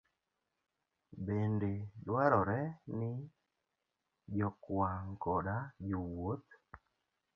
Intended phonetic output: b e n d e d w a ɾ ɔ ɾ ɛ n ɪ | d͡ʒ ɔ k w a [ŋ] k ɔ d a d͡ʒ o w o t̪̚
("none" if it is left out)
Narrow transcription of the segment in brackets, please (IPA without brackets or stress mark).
ŋ